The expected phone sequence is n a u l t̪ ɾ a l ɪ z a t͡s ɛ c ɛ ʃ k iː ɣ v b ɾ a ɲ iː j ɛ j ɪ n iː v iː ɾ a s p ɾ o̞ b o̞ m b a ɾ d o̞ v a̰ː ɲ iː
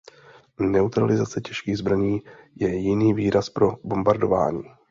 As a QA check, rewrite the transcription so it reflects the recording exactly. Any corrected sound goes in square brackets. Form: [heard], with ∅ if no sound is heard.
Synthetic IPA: n [ɛ] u [∅] t̪ ɾ a l ɪ z a t͡s ɛ c ɛ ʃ k iː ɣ [z] b ɾ a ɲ iː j ɛ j ɪ n iː v iː ɾ a s p ɾ o̞ b o̞ m b a ɾ d o̞ v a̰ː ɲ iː

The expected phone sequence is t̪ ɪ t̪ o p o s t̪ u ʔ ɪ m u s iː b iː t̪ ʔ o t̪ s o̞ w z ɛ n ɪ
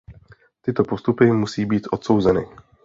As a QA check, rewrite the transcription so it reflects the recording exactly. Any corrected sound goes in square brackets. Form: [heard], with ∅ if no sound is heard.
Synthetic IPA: t̪ ɪ t̪ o p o s t̪ u [p] ɪ m u s iː b iː t̪ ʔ o t̪ s o̞ w z ɛ n ɪ

